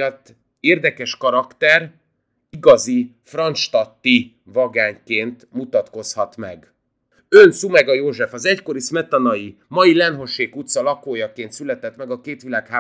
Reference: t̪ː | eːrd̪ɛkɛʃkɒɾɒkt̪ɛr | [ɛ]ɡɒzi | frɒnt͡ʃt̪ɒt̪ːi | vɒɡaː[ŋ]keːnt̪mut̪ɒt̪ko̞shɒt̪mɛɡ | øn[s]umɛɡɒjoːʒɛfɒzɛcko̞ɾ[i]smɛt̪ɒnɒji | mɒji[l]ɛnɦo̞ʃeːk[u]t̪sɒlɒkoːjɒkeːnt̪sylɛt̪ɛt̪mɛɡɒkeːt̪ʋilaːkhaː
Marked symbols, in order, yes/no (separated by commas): no, no, yes, yes, yes, yes